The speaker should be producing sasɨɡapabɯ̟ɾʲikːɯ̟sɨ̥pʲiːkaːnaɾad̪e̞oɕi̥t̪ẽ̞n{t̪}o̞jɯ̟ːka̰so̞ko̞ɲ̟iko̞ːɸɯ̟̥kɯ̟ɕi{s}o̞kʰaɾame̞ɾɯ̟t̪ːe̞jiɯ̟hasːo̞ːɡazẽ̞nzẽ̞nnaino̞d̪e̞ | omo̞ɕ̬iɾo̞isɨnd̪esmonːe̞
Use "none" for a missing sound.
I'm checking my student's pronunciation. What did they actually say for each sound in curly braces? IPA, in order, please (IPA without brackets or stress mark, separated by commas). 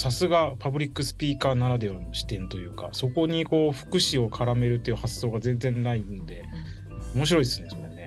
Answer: t̪, none